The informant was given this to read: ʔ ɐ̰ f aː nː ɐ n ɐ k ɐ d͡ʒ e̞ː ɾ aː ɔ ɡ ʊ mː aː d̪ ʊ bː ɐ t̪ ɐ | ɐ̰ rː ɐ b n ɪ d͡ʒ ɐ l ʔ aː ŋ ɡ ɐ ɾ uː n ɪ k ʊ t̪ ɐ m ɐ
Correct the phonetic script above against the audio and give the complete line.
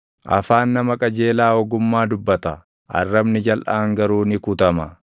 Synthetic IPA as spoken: ʔ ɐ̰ f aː nː ɐ m ɐ kʼ ɐ d͡ʒ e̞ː l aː ɔ ɡ ʊ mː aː d̪ ʊ bː ɐ t̪ ɐ | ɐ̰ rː ɐ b n ɪ d͡ʒ ɐ l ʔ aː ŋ ɡ ɐ ɾ uː n ɪ k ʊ t̪ ɐ m ɐ